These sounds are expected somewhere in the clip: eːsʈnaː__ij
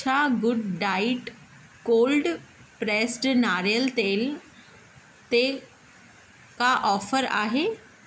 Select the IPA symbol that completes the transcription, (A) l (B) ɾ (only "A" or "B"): B